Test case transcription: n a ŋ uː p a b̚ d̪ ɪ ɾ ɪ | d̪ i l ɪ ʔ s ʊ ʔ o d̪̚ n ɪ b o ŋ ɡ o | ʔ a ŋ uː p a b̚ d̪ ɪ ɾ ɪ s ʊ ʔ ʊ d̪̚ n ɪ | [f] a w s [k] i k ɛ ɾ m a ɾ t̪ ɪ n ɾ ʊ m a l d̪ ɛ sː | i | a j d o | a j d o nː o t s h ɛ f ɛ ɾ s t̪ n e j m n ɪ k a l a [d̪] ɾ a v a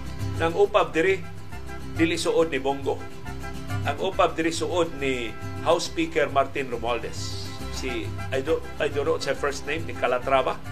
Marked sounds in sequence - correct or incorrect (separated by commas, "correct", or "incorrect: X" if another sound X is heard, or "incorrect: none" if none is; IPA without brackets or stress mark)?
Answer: incorrect: h, incorrect: p, incorrect: t̪